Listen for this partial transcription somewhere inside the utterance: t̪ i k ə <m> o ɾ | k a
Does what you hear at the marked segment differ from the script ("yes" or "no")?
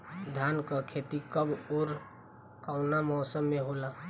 yes